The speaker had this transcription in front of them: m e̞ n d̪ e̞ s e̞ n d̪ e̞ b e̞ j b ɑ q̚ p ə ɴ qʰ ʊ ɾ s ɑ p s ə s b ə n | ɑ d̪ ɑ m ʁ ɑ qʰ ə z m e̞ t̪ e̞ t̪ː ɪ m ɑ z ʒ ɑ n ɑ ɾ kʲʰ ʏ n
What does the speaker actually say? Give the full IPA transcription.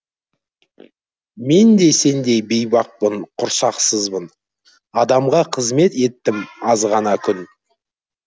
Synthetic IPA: m e̞ n d̪ e̞ s e̞ n d̪ e̞ b e̞ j b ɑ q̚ p ə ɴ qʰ ʊ ɾ s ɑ q s ə z b ə n | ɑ d̪ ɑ m ʁ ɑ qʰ ə z m e̞ t̪ e̞ t̪ː ɪ m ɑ z ʁ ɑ n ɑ kʲʰ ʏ n